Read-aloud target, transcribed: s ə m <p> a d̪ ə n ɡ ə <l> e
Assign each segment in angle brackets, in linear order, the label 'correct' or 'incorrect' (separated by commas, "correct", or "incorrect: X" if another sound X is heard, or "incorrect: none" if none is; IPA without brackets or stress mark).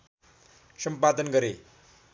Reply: correct, incorrect: ɾ